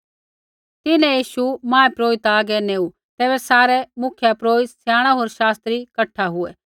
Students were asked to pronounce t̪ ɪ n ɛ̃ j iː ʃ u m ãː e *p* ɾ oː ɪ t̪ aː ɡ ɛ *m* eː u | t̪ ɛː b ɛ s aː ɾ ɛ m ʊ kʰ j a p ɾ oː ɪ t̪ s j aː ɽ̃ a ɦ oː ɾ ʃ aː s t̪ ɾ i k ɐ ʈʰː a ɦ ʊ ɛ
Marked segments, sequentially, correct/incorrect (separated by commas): correct, incorrect